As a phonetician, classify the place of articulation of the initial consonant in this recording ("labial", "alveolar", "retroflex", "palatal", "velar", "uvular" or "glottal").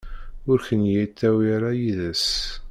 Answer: alveolar